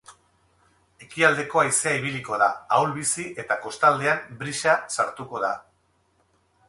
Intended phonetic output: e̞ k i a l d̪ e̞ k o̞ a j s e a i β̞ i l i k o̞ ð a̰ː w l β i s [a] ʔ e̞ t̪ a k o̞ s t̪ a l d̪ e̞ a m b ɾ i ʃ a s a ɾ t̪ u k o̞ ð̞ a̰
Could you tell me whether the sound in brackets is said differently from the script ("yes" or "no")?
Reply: yes